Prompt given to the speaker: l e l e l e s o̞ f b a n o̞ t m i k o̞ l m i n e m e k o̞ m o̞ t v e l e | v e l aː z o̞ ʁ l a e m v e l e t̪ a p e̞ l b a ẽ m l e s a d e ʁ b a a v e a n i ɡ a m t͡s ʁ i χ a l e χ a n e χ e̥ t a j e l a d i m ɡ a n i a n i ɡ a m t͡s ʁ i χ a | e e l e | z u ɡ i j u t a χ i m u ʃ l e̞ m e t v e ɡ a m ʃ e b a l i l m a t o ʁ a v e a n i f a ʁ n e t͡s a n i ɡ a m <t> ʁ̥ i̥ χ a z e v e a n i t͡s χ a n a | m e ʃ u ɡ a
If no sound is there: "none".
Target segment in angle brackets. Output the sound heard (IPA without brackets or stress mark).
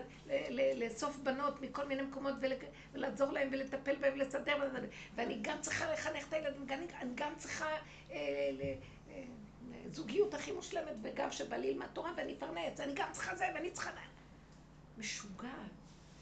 t͡s